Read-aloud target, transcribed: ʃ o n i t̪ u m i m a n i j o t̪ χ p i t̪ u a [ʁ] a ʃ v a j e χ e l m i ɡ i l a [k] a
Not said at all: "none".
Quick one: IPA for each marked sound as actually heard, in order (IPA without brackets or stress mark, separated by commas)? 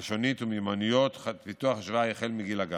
χ, ɡ